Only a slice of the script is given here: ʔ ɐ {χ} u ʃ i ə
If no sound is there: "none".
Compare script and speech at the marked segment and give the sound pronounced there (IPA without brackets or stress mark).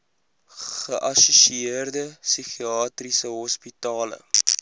s